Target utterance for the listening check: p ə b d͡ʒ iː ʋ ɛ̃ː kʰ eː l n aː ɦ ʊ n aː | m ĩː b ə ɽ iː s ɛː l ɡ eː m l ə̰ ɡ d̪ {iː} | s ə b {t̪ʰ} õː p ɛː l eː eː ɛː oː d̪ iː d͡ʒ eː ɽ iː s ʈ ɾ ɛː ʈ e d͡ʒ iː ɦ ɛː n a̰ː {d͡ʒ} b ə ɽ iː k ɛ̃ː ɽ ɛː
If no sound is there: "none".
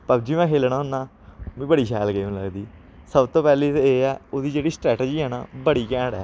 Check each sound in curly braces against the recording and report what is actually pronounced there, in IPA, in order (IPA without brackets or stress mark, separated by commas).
iː, t̪, none